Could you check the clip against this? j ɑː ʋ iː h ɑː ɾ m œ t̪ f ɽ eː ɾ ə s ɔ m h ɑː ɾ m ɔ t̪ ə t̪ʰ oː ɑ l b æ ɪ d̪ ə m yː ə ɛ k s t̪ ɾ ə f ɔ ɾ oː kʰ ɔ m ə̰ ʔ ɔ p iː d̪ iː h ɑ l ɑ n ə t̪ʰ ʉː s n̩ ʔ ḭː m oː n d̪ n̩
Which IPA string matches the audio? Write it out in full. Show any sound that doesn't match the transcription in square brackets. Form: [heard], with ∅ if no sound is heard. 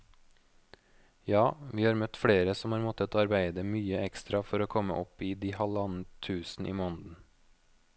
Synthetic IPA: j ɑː ʋ iː h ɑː ɾ m œ t̪ f ɽ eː ɾ ə s ɔ m h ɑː ɾ m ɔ t̪ ə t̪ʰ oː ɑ [ɾ] b æ ɪ d̪ ə m yː ə ɛ k s t̪ ɾ [ɑ] f ɔ ɾ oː kʰ ɔ m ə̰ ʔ ɔ p iː d̪ iː h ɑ l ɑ n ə t̪ʰ ʉː s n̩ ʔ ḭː m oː n d̪ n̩